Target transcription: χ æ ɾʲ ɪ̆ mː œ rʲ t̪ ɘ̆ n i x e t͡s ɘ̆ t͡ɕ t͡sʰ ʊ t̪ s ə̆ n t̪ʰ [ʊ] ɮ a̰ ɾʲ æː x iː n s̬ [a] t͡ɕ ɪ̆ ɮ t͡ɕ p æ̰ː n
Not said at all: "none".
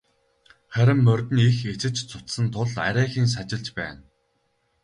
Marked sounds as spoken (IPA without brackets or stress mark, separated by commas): ʊ, a